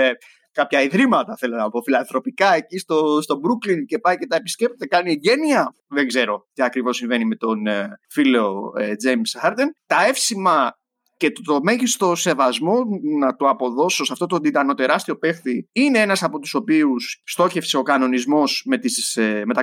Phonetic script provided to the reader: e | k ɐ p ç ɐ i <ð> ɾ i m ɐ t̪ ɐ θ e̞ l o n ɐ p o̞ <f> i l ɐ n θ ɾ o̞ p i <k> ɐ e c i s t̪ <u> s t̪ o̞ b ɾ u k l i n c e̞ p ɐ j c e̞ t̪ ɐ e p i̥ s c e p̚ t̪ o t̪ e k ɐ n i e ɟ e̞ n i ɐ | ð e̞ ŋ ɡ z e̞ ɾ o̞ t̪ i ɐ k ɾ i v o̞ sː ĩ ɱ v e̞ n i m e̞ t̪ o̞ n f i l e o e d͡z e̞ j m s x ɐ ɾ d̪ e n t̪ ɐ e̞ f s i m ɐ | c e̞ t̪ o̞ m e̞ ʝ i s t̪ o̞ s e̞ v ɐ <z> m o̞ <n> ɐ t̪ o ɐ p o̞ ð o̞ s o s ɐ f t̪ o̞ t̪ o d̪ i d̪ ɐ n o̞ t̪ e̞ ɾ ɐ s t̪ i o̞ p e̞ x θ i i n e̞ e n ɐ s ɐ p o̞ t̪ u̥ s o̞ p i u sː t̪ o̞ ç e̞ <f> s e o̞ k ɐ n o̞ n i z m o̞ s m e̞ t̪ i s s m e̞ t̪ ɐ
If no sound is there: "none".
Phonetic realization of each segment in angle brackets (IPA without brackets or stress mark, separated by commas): ð, f, k, o, z, n, f